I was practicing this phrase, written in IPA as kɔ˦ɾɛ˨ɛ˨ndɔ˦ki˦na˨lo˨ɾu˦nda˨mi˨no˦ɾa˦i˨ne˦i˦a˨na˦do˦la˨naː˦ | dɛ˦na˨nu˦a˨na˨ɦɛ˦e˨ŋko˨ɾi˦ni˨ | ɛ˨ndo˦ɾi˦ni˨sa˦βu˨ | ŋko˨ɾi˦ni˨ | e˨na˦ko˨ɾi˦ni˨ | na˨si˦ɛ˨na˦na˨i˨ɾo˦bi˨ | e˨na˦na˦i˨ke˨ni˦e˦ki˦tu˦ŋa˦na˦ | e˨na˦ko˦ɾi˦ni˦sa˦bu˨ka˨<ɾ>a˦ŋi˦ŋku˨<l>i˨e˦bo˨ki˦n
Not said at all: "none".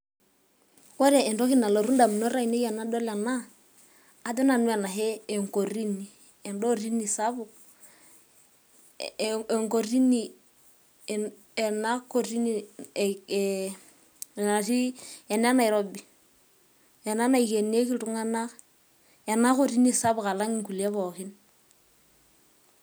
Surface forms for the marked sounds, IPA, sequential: l, l

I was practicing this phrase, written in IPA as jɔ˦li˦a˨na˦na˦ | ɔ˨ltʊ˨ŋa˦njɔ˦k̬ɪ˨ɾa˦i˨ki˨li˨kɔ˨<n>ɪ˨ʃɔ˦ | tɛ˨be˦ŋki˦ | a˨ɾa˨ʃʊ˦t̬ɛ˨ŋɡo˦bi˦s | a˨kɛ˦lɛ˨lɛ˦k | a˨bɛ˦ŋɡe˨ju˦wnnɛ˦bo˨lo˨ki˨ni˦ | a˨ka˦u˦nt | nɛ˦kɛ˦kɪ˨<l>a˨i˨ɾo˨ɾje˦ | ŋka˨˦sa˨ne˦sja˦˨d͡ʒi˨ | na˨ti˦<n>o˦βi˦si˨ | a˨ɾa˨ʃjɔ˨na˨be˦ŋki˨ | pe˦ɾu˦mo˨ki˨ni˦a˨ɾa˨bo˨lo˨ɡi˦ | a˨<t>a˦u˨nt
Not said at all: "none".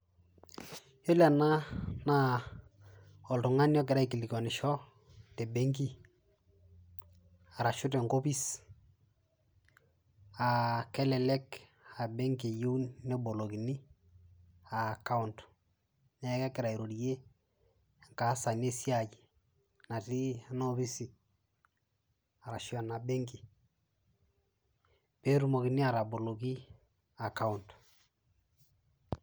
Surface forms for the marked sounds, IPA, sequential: n, ɾ, n, k

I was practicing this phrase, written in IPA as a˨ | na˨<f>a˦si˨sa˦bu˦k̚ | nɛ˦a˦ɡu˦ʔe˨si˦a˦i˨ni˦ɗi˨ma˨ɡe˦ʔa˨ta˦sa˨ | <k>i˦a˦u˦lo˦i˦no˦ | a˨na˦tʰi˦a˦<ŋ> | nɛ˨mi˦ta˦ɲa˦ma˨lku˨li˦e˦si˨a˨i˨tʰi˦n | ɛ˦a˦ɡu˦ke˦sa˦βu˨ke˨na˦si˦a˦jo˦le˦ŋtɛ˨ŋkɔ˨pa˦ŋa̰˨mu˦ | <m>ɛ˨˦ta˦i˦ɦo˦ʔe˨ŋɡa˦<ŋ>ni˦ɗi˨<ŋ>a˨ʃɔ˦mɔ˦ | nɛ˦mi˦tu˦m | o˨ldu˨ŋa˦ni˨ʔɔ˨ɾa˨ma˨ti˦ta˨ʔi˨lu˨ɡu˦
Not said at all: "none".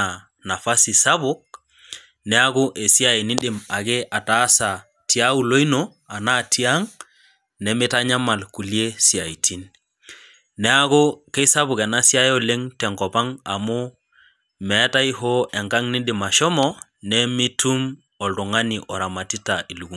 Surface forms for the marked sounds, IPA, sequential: f, t, ŋ, m, ŋ, m

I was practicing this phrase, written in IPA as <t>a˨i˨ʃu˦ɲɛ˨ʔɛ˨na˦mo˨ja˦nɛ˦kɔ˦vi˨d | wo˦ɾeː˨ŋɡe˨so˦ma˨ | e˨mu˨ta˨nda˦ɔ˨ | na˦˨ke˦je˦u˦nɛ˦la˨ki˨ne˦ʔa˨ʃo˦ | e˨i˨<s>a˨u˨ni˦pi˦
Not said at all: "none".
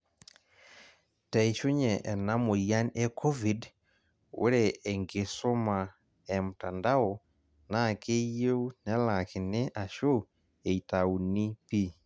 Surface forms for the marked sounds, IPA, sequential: t, t

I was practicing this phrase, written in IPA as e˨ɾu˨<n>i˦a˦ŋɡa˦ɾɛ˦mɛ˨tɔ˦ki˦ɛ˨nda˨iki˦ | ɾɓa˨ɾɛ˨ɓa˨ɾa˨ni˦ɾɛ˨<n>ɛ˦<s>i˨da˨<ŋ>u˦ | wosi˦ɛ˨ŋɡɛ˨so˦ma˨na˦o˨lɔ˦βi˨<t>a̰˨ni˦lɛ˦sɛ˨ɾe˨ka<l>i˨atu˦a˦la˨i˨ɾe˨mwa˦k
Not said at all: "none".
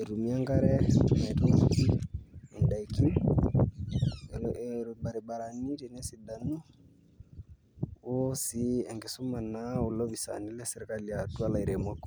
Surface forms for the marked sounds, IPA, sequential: m, n, s, n, s, l

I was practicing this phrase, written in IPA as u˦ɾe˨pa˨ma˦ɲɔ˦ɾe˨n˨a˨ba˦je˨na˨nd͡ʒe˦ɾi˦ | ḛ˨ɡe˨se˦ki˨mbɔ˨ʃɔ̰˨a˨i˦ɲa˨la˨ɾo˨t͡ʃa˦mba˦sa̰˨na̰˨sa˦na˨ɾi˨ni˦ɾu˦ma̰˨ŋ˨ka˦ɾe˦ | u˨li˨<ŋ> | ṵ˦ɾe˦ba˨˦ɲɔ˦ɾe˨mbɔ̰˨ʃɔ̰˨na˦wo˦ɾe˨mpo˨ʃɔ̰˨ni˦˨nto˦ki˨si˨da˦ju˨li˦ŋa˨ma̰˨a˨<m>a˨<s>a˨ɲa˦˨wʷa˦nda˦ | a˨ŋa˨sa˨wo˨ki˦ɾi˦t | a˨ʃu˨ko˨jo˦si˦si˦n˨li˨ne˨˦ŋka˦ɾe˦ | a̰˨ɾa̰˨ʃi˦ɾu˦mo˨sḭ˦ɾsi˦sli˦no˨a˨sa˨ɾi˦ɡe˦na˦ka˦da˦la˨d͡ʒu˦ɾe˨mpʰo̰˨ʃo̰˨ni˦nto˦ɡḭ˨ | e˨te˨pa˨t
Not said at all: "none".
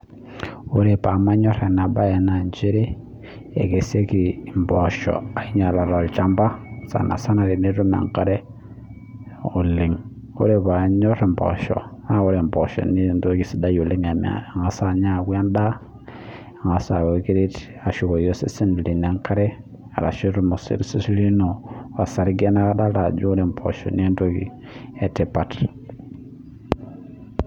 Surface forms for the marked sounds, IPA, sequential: ŋ, ŋ, s

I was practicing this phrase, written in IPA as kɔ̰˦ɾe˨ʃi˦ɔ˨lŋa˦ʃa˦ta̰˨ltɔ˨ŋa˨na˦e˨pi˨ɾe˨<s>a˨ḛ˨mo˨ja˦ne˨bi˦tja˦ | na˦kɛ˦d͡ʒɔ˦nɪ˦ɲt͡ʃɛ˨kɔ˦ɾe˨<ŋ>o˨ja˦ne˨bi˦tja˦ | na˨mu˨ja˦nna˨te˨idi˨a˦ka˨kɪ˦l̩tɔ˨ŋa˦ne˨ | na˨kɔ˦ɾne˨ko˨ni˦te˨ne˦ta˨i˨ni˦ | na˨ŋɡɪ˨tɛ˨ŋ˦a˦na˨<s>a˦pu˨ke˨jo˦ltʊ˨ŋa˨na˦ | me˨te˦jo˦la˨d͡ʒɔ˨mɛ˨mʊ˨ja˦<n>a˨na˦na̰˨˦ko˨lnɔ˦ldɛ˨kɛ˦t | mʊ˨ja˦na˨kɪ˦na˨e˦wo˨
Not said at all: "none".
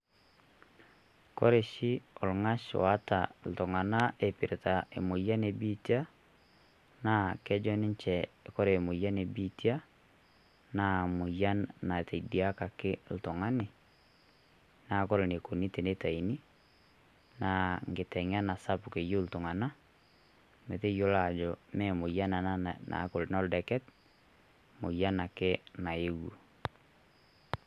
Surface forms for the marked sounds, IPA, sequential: t, m, s, n

